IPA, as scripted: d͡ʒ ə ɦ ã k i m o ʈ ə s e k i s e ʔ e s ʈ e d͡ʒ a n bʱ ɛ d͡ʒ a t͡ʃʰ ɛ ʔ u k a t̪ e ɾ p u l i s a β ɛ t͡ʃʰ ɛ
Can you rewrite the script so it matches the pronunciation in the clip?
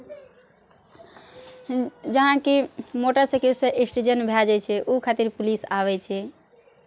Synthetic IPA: d͡ʒ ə ɦ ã k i m o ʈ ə s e k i s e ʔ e s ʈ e d͡ʒ ə n bʱ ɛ d͡ʒ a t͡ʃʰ ɛ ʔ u kʰ a t̪ i ɾ p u l i s a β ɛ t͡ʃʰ ɛ